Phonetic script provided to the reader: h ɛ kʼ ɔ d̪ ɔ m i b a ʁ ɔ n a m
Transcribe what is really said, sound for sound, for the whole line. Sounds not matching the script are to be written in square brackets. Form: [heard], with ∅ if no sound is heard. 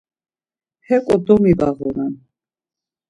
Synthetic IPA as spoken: h ɛ kʼ ɔ d̪ ɔ m i [v] a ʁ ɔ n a [n]